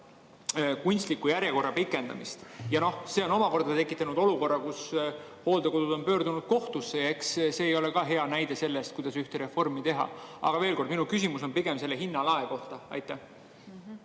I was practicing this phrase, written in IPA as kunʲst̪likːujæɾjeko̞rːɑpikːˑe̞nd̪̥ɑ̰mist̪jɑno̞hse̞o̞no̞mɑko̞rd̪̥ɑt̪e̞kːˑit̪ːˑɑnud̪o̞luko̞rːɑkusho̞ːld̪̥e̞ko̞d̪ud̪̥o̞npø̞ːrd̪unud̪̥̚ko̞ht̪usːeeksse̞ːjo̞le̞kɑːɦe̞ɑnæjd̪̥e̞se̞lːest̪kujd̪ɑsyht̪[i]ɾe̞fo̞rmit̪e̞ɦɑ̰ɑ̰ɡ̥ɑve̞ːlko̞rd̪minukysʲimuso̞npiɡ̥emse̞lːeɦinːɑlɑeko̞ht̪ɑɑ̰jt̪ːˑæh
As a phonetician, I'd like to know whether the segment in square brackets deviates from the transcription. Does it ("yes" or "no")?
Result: yes